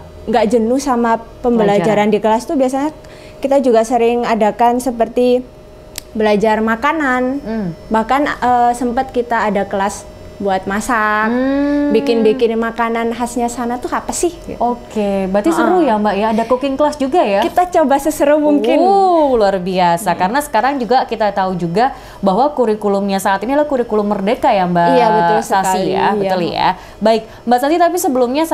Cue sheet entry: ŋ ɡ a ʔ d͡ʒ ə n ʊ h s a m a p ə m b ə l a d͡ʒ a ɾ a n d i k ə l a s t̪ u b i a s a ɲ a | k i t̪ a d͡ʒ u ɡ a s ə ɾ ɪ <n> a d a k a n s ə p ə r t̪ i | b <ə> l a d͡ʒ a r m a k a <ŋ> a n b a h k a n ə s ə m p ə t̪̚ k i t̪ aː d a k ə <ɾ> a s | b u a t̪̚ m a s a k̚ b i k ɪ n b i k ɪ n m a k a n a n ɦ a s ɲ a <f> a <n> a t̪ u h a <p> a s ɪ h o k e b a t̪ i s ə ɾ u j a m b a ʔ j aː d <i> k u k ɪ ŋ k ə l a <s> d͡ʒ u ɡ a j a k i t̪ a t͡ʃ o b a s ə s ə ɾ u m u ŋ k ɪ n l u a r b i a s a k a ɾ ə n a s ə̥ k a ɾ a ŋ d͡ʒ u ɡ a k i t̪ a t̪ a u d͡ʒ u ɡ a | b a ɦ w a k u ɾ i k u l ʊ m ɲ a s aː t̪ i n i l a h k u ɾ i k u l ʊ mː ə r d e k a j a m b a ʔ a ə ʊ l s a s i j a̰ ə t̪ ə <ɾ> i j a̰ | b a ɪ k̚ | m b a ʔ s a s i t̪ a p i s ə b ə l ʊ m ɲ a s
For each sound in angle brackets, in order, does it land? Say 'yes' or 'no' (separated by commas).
no, yes, no, no, no, yes, yes, no, yes, no